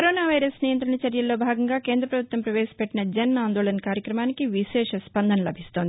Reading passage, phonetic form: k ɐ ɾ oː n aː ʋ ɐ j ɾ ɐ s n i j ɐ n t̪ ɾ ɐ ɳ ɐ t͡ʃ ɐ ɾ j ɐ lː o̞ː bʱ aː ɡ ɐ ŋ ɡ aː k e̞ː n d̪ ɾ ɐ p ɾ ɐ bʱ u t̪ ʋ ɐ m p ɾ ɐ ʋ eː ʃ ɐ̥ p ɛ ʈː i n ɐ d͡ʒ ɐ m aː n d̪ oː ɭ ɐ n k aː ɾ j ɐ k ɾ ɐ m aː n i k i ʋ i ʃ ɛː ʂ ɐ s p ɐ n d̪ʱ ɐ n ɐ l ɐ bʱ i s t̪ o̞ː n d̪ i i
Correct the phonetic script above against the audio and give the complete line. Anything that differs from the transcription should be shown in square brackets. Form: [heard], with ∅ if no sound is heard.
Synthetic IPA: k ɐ ɾ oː n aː ʋ ɐ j ɾ ɐ s n i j ɐ n t̪ ɾ ɐ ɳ ɐ t͡ʃ ɐ ɾ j ɐ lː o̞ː bʱ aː ɡ ɐ ŋ ɡ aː k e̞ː n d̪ ɾ ɐ p ɾ ɐ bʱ u t̪ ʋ ɐ m p ɾ ɐ ʋ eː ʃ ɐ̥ p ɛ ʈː i n ɐ d͡ʒ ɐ [n] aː n d̪ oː ɭ ɐ n k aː ɾ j ɐ k ɾ ɐ m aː n i k i ʋ i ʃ ɛː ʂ ɐ s p ɐ n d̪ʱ ɐ n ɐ l ɐ bʱ i s t̪ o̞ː n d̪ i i